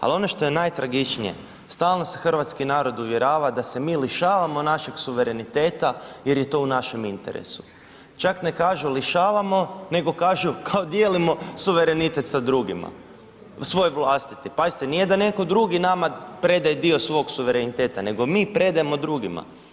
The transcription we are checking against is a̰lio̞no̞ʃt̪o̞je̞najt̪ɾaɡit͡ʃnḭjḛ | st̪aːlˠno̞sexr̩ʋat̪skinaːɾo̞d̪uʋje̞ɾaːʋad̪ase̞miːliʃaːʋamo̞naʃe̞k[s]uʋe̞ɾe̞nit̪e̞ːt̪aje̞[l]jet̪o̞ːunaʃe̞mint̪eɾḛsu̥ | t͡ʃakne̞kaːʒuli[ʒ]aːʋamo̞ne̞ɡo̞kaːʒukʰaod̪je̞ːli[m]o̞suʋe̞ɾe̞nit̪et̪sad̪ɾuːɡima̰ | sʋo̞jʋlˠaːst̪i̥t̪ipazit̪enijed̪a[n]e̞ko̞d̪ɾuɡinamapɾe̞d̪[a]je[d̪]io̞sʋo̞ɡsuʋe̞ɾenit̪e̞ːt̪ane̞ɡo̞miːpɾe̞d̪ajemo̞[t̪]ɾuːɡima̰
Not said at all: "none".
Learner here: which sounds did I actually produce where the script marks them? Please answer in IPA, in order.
s, ɾ, ʃ, m, n, a, d̪, d̪

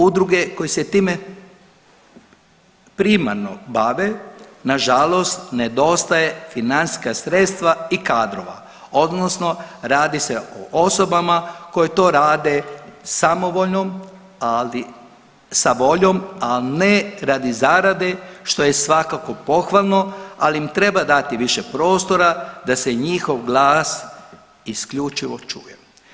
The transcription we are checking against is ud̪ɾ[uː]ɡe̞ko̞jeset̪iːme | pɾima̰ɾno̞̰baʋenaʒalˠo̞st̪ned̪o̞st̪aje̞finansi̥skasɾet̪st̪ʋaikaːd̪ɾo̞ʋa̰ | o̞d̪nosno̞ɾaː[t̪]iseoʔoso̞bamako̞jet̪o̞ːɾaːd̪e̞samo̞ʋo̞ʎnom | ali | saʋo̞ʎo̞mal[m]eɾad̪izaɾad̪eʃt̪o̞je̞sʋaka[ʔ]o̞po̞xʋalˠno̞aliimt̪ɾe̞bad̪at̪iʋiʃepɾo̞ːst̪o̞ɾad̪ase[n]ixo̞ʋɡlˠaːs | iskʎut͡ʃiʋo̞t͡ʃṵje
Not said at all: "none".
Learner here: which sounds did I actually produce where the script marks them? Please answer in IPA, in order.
u, d̪, n, k, ɲ

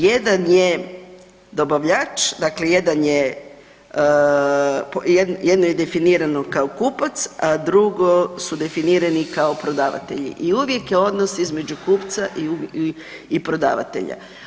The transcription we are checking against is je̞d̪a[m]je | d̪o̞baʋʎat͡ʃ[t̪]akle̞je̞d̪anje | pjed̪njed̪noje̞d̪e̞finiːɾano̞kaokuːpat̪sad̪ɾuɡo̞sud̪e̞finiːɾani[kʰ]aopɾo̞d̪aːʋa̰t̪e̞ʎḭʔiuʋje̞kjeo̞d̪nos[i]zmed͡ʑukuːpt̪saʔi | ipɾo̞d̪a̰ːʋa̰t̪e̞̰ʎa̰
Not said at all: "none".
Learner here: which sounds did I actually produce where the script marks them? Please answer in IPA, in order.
n, d̪, k, i

